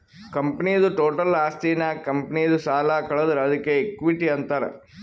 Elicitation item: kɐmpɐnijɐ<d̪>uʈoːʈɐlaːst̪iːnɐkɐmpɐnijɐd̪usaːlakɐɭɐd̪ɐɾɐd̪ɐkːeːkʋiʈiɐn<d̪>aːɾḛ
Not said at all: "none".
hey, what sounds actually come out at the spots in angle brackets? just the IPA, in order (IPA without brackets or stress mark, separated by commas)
d̪, t̪